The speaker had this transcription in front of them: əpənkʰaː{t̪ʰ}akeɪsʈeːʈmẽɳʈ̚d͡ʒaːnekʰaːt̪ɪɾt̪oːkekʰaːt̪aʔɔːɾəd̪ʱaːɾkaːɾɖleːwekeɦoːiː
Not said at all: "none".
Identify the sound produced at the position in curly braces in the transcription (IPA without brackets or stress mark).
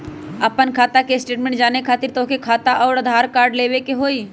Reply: t̪